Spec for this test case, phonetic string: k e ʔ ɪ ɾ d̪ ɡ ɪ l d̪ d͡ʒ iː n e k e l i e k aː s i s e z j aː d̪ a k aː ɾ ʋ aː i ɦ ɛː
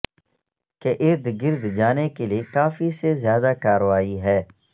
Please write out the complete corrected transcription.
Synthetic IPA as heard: k e ʔ ɪ ɾ d̪ ɡ ɪ ɾ d̪ d͡ʒ aː n e k e l i e k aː f i s e z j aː d̪ a k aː ɾ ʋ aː i ɦ ɛː